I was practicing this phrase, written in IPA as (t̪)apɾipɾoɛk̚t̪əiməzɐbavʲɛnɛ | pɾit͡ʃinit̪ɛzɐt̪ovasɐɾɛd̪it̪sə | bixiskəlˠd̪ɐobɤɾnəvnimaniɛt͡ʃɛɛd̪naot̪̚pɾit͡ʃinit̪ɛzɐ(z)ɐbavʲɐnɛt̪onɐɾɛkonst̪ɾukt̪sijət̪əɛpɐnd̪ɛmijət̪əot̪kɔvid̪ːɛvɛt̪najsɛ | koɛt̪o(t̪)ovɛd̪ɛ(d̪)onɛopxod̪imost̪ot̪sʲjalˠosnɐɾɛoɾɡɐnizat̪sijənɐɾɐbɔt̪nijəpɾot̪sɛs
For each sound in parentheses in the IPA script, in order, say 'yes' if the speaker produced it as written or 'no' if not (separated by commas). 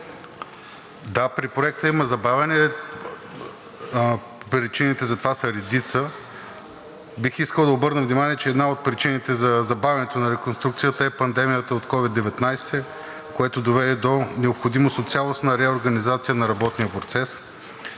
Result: no, yes, no, yes